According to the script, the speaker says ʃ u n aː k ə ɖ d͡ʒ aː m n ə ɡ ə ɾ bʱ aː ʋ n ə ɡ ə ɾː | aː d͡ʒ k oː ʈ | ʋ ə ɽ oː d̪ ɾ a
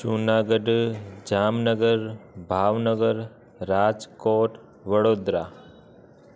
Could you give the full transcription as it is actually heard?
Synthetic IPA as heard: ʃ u n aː ɡ ə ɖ d͡ʒ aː m n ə ɡ ə ɾ bʱ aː ʋ n ə ɡ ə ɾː | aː d͡ʒ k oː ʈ | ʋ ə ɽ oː d̪ ɾ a